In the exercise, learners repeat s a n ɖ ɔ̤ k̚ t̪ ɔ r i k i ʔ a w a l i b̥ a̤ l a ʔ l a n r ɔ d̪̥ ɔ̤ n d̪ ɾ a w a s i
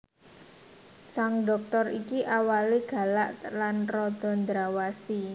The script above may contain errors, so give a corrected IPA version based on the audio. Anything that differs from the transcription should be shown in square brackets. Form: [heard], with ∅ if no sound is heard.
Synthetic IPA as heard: s a [ŋ] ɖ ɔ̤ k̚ t̪ ɔ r i k i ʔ a w a l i [ɡ̥] a̤ l a ʔ l a n r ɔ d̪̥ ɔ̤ n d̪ ɾ a w a s i